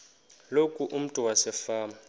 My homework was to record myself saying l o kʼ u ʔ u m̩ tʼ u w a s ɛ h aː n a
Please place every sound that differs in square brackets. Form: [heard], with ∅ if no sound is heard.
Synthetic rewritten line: l o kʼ u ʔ u m̩ tʼ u w a s ɛ [f] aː [m] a